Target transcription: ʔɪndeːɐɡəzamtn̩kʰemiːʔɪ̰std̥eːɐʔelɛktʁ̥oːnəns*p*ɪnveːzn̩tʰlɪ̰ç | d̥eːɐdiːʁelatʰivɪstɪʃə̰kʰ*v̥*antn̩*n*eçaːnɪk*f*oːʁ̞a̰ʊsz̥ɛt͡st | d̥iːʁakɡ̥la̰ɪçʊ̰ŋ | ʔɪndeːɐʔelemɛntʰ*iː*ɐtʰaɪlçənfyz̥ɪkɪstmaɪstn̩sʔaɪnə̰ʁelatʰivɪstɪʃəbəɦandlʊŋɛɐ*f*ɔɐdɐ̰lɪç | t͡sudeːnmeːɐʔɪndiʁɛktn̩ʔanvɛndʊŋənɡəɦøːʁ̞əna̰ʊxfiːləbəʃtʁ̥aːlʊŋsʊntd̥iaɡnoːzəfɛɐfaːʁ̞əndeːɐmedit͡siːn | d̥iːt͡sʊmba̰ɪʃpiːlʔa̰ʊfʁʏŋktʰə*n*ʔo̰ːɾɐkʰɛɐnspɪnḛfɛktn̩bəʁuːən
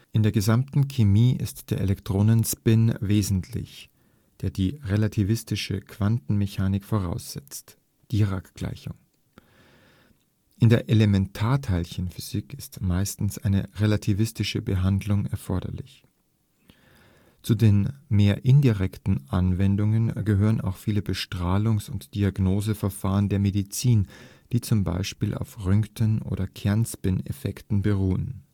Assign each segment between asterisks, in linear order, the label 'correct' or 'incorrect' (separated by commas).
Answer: correct, correct, incorrect, correct, incorrect, correct, correct